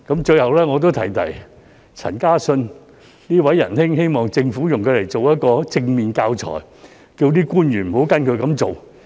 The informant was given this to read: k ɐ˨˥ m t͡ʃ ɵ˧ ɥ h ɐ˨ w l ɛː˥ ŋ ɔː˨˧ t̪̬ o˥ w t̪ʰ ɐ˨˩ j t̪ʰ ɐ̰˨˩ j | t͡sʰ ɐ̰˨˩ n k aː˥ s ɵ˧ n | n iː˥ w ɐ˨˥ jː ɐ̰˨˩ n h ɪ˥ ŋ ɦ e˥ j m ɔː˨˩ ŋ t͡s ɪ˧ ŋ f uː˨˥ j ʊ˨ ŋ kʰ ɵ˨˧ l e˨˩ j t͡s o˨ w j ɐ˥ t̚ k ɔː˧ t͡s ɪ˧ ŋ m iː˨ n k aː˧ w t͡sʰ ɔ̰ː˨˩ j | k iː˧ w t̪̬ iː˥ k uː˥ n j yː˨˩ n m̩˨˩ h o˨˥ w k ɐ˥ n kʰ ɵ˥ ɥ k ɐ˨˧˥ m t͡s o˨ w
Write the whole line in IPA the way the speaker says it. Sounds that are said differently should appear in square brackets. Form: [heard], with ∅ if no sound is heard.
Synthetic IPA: k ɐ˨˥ m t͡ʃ ɵ˧ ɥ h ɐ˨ w l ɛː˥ ŋ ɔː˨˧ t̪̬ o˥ w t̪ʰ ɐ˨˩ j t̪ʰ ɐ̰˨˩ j | t͡sʰ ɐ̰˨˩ n k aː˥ s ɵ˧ n | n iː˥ w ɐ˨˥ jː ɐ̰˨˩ n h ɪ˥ ŋ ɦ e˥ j m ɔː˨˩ ŋ t͡s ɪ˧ ŋ f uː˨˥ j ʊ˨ ŋ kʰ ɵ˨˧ l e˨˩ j t͡s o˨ w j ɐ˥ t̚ k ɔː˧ t͡s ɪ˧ ŋ m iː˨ n k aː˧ w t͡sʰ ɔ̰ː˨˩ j | k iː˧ w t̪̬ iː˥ k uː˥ n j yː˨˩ n m̩˨˩ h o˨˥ w k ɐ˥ n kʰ [ɵ˧] ɥ k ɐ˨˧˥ m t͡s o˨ w

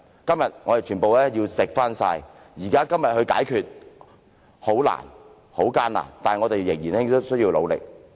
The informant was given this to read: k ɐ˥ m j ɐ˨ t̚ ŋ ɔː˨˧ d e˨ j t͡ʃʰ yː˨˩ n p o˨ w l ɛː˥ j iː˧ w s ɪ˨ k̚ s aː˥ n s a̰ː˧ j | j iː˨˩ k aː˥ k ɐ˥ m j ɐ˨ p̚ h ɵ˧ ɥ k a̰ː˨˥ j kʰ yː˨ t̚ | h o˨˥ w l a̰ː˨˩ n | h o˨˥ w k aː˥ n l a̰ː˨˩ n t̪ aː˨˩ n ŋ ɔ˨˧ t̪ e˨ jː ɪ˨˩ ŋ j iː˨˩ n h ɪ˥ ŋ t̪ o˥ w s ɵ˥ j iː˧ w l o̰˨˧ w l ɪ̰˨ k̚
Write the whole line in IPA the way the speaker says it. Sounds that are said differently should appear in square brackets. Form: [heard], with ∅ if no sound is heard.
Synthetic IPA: k ɐ˥ m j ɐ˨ t̚ ŋ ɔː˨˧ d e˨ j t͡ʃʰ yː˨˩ n p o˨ w l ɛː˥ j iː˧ w s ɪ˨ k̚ [f] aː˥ n s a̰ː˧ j | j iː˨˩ k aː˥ k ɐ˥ m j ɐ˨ [t̚] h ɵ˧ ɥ k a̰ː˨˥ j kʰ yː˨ t̚ | h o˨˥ w l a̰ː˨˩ n | h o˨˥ w k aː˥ n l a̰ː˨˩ n t̪ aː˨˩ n ŋ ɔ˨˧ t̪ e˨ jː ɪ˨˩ ŋ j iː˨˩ n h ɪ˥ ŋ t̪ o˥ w s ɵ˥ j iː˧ w l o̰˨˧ w l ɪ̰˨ k̚

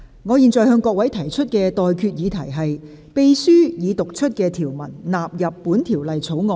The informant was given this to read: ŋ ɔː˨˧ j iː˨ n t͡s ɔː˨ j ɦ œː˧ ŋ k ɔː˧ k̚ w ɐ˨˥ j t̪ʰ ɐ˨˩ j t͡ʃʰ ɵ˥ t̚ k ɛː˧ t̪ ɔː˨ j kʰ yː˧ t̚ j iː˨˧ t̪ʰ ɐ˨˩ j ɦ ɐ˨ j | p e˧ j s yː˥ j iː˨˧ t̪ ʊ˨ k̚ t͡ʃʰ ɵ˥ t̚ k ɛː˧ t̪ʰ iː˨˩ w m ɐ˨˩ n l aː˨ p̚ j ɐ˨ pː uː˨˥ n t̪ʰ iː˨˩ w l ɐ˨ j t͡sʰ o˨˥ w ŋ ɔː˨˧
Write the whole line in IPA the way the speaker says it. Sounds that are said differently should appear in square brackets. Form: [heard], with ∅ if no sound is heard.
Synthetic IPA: ŋ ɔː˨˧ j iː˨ n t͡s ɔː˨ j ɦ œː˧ ŋ k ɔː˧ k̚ w ɐ˨˥ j t̪ʰ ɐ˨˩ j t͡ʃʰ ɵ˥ t̚ k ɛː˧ t̪ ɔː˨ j kʰ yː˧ t̚ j iː˨˧ t̪ʰ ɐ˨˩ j ɦ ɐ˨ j | p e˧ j s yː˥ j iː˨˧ t̪ ʊ˨ k̚ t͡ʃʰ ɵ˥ t̚ k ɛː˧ t̪ʰ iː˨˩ w m ɐ˨˩ n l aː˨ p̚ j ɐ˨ pː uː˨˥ n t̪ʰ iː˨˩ w l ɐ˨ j t͡sʰ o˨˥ w ŋ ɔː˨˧

